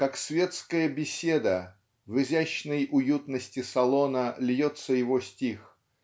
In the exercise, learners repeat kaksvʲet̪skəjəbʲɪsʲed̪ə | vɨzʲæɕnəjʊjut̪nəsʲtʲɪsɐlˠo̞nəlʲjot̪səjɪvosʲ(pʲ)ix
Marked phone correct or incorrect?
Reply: incorrect